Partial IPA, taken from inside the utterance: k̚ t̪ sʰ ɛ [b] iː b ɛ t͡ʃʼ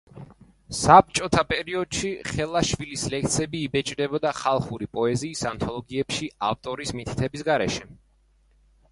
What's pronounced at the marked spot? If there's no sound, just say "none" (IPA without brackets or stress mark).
b